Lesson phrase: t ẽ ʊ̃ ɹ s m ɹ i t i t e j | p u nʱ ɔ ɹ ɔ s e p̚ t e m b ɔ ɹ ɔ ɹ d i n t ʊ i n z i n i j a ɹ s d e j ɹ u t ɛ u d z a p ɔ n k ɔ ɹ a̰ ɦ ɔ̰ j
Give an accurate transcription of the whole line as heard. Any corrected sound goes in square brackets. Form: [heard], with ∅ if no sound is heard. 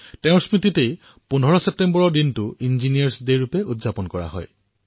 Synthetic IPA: t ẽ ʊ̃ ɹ s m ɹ i t i t e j | p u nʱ ɔ ɹ ɔ s e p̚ t e m b ɔ ɹ ɔ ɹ d i n t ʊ i n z i n i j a ɹ s d e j ɹ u [p] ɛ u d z a p ɔ n k ɔ ɹ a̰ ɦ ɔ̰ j